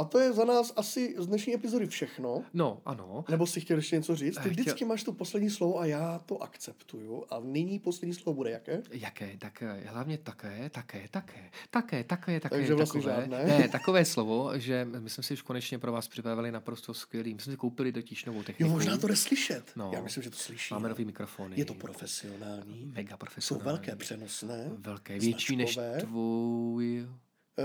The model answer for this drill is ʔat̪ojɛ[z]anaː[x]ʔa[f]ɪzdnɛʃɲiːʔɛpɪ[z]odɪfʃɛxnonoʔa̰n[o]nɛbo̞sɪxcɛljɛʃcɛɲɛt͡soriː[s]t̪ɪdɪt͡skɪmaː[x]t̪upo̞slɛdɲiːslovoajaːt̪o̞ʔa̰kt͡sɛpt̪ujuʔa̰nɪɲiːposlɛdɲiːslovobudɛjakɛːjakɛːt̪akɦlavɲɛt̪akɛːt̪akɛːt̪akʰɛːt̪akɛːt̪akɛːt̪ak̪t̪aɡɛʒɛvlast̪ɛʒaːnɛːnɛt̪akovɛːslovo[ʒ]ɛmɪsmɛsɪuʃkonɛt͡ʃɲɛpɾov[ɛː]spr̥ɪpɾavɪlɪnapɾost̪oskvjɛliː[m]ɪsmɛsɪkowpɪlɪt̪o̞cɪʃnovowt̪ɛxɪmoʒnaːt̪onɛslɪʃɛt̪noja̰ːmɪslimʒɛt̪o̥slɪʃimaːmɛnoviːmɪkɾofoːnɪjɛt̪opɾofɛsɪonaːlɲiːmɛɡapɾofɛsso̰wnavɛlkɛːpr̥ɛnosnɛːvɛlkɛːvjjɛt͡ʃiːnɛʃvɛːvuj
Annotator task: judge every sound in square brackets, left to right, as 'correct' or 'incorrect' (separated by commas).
correct, incorrect, incorrect, correct, correct, incorrect, incorrect, correct, incorrect, correct